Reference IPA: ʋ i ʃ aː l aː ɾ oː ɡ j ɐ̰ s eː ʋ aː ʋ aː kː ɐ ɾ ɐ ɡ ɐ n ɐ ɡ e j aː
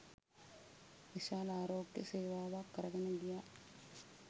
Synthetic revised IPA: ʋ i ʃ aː l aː ɾ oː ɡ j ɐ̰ s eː ʋ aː ʋ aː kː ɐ ɾ ɐ ɡ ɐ n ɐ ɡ i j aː